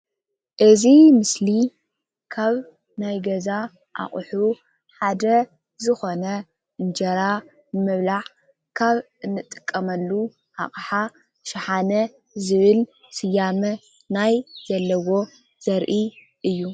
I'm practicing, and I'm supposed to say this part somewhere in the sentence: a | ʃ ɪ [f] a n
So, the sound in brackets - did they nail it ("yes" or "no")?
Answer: no